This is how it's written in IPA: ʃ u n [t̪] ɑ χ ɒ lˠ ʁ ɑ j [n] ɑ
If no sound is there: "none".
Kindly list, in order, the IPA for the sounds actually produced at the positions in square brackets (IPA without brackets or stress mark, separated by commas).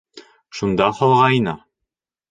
d̪, n